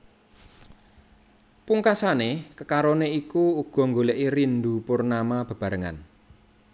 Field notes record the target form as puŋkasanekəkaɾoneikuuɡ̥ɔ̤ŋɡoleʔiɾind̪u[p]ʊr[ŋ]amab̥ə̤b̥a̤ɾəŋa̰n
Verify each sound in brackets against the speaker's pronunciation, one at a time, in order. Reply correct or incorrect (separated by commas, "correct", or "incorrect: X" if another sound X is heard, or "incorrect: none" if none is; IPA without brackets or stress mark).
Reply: correct, incorrect: n